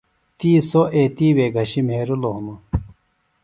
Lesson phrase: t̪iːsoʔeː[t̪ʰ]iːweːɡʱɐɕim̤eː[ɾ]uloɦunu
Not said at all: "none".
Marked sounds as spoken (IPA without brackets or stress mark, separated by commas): t̪, ɾ